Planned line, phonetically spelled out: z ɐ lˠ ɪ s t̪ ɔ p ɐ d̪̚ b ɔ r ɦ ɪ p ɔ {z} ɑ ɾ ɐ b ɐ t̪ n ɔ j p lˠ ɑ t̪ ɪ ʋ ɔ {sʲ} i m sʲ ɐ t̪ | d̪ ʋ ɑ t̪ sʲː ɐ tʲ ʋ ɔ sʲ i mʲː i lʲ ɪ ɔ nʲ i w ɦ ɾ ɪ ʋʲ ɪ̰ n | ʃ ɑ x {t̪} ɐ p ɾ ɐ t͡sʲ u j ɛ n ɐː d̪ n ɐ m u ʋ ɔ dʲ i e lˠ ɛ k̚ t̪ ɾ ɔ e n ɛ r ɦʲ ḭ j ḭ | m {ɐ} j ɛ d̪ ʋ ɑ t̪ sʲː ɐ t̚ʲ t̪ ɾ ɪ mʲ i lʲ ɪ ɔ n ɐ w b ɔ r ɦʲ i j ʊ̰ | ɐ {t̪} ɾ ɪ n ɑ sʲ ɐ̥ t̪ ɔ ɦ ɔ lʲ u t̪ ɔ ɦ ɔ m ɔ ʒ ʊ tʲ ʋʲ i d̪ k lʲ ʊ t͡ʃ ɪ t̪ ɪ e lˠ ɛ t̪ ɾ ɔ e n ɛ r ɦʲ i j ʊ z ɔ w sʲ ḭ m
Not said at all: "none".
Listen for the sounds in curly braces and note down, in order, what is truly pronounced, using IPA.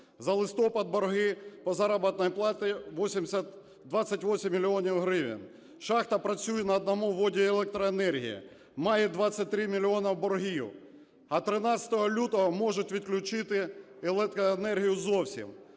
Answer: z, sʲ, t̪, ɑ, t̪

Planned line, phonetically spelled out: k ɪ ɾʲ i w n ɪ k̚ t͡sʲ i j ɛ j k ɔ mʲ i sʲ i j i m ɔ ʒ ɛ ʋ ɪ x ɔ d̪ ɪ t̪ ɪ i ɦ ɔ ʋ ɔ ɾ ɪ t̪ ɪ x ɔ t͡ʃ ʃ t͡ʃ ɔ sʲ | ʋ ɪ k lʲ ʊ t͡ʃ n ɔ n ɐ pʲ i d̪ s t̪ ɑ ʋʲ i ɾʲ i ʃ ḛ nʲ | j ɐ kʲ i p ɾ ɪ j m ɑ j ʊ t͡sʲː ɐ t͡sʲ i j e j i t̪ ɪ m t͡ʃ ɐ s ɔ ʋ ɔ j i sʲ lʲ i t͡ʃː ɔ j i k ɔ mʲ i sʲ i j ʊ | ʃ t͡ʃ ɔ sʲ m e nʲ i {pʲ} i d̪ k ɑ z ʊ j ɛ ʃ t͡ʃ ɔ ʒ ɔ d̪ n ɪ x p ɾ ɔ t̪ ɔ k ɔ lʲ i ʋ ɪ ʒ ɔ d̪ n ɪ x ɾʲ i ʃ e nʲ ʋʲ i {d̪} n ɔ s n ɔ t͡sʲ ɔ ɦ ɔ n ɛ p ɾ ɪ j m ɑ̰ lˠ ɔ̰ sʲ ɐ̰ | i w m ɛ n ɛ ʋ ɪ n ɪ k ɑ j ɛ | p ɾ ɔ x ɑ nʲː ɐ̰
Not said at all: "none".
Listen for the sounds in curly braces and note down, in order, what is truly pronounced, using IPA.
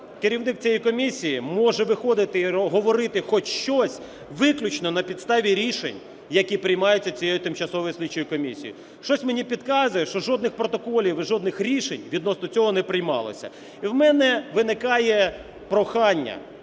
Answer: pʲ, d̪

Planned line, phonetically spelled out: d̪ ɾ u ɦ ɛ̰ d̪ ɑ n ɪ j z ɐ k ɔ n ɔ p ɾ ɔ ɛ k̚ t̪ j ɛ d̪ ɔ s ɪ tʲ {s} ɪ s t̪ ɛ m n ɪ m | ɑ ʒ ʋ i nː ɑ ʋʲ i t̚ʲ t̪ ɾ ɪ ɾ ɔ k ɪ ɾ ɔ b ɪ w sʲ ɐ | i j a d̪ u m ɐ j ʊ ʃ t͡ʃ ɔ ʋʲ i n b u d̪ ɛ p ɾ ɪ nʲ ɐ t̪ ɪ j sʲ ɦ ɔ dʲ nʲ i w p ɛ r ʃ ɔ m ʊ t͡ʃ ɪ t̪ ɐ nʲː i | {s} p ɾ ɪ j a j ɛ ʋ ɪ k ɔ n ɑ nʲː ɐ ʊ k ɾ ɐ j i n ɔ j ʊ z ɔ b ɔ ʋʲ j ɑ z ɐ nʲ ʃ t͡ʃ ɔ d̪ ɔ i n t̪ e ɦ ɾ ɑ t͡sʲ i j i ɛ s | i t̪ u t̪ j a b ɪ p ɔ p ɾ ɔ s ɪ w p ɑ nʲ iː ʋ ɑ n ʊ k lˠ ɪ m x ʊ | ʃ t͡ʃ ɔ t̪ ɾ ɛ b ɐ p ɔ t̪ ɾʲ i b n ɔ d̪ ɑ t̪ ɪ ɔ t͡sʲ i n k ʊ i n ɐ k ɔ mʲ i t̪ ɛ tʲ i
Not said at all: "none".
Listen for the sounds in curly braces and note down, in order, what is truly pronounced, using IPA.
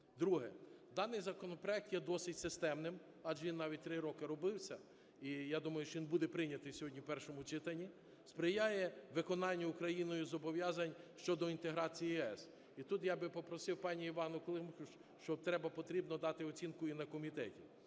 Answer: s, s

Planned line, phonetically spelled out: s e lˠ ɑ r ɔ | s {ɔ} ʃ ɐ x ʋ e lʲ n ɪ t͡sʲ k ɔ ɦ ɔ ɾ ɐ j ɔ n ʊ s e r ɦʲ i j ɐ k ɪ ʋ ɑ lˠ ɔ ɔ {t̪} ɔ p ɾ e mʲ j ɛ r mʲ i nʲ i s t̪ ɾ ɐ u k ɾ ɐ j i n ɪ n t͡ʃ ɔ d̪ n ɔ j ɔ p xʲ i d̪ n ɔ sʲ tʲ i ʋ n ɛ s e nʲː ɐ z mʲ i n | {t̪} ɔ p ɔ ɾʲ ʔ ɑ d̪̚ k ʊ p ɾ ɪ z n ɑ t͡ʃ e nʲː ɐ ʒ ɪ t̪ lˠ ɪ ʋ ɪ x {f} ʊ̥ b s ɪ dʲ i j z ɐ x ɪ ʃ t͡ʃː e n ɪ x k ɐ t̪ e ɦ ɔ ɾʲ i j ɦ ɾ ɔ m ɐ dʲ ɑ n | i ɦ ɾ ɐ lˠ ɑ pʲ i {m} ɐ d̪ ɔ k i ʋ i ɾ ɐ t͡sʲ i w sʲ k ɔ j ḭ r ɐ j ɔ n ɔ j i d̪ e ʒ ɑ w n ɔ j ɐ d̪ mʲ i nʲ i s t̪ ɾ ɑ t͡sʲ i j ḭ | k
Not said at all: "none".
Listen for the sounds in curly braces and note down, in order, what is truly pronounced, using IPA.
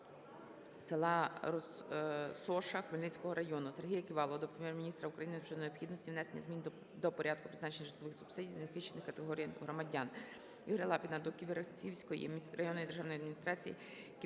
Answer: ɔ, d̪, d̪, s, n

